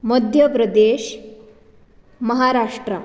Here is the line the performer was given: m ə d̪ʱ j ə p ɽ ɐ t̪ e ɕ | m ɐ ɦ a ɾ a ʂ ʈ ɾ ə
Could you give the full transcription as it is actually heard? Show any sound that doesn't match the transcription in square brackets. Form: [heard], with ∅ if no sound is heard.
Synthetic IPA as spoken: m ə d̪ʱ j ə p [ɾ] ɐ [d̪] e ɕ | m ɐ ɦ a ɾ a ʂ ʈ ɾ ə